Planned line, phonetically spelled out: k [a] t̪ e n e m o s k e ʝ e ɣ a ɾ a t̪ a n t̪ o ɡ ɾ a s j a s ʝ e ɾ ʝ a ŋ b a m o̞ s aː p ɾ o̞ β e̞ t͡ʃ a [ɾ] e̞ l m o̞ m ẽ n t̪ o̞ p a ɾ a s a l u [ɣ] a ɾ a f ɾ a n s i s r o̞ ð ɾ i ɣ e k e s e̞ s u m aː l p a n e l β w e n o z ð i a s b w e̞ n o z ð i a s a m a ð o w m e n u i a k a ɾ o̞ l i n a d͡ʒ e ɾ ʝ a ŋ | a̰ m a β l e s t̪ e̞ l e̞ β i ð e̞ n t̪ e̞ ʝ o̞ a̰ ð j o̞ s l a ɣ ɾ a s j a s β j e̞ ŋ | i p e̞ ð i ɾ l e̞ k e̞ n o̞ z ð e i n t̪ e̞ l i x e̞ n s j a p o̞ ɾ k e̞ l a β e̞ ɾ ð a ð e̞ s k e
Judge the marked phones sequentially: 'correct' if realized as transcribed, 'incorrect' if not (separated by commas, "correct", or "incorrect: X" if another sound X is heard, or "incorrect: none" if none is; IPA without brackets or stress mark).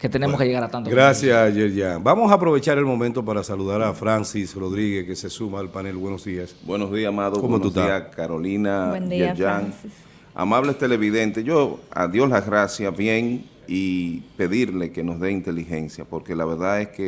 incorrect: e, correct, incorrect: ð